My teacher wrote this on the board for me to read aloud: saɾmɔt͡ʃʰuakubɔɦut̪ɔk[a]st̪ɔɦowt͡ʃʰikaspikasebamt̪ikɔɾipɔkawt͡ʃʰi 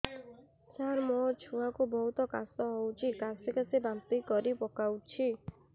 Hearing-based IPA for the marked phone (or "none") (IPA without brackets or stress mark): a